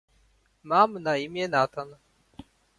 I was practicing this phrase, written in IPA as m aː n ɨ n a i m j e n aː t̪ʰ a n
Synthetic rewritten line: m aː m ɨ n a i m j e n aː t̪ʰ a n